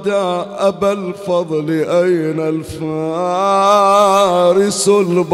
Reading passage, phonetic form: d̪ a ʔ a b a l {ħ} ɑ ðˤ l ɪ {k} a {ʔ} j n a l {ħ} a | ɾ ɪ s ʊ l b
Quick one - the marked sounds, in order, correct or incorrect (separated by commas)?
incorrect, incorrect, incorrect, incorrect